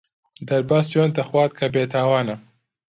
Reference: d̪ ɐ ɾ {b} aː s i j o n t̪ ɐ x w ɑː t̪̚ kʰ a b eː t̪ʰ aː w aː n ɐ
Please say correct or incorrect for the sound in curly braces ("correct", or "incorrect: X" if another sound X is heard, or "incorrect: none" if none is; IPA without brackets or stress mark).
correct